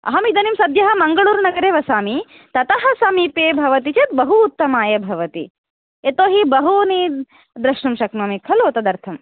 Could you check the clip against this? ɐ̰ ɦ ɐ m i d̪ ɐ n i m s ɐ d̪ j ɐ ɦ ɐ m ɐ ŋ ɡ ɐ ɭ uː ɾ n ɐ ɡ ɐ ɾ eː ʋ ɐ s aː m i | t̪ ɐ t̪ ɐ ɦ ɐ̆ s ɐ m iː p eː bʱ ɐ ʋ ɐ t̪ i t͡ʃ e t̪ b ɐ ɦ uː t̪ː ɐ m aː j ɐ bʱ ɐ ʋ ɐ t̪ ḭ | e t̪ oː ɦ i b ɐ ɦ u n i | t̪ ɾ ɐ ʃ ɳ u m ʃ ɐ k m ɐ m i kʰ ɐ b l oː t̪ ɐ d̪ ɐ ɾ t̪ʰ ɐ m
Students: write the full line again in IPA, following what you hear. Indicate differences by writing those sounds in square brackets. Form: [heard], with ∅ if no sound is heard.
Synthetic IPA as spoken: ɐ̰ ɦ ɐ m i d̪ ɐ n i m s ɐ d̪ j ɐ ɦ ɐ m ɐ ŋ ɡ ɐ ɭ uː ɾ n ɐ ɡ ɐ ɾ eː ʋ ɐ s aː m i | t̪ ɐ t̪ ɐ ɦ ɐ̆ s ɐ m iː p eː bʱ ɐ ʋ ɐ t̪ i t͡ʃ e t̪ b ɐ ɦ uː t̪ː ɐ m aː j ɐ bʱ ɐ ʋ ɐ t̪ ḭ | e t̪ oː ɦ i b ɐ ɦ u n i | [d̪] ɾ ɐ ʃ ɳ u m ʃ ɐ k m ɐ m i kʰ ɐ [∅] l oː t̪ ɐ d̪ ɐ ɾ t̪ʰ ɐ m